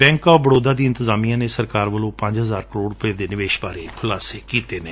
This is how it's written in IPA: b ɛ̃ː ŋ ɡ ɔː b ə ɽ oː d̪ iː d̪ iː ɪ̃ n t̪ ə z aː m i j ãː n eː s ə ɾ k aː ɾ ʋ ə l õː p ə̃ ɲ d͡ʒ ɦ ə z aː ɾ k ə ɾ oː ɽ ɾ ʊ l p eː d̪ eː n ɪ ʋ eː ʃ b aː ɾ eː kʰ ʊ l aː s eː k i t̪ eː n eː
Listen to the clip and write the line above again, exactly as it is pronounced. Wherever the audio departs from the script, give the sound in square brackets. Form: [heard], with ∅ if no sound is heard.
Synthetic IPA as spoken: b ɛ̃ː ŋ [k] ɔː b ə ɽ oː d̪ [aː] d̪ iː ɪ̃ n t̪ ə z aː m i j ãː n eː s ə ɾ k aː ɾ ʋ ə l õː p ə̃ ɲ d͡ʒ ɦ ə z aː ɾ k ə ɾ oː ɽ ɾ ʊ [∅] p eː d̪ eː n ɪ ʋ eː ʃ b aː ɾ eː kʰ ʊ l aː s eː k [iː] t̪ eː n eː